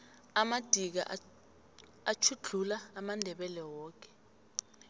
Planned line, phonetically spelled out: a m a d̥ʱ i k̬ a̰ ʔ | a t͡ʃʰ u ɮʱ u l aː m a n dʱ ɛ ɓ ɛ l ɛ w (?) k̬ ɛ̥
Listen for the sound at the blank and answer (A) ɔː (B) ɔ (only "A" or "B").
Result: A